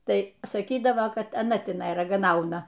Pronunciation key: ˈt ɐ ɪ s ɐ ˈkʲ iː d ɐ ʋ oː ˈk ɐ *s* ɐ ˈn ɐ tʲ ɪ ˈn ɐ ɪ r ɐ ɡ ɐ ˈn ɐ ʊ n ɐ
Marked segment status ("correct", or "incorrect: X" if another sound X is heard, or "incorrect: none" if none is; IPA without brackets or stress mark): incorrect: t